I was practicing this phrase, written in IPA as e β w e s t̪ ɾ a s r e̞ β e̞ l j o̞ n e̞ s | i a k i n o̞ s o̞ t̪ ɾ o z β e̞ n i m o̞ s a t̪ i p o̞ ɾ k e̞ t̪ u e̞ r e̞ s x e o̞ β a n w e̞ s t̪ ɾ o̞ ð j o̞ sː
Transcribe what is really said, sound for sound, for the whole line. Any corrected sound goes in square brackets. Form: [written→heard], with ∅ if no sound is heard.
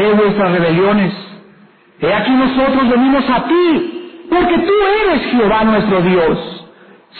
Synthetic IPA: e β w e s t̪ ɾ a s r e̞ β e̞ l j o̞ n e̞ s | [i→e] a k i n o̞ s o̞ t̪ ɾ o z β e̞ n i m o̞ s a t̪ i p o̞ ɾ k e̞ t̪ u e̞ [r→ɾ] e̞ s x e o̞ β a n w e̞ s t̪ ɾ o̞ ð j o̞ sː